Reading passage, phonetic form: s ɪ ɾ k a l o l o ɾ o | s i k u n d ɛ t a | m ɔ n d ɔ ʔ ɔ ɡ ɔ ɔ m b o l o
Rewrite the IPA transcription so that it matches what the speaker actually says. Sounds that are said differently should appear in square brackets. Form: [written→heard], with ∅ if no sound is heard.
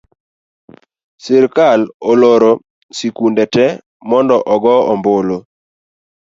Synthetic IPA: s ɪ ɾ k a l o l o ɾ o | s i k u n d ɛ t [a→ɛ] | m ɔ n d ɔ ʔ ɔ ɡ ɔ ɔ m b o l o